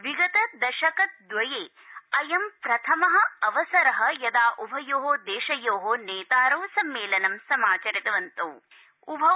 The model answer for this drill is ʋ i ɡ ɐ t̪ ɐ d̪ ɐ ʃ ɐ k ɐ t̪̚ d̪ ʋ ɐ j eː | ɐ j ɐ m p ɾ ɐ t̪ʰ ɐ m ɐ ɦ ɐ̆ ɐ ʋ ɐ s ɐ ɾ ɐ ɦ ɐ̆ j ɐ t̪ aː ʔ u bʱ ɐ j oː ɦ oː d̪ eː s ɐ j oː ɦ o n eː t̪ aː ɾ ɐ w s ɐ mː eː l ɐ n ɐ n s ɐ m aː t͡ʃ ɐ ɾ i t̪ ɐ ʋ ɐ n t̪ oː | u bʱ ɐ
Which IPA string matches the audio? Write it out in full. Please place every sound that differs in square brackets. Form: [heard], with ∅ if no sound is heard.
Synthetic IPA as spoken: ʋ i ɡ ɐ t̪ ɐ d̪ ɐ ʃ ɐ k ɐ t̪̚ d̪ ʋ ɐ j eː | ɐ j ɐ m p ɾ ɐ t̪ʰ ɐ m ɐ ɦ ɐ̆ ɐ ʋ ɐ s ɐ ɾ ɐ ɦ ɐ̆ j ɐ [d̪] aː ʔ u bʱ ɐ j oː ɦ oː d̪ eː [ʃ] ɐ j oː ɦ o n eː t̪ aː ɾ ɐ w s ɐ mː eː l ɐ n ɐ [m] s ɐ m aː t͡ʃ ɐ ɾ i t̪ ɐ ʋ ɐ n t̪ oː | u bʱ ɐ